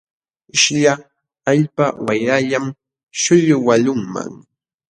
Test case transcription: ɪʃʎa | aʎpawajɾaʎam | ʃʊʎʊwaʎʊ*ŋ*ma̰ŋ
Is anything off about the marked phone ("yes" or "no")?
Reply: no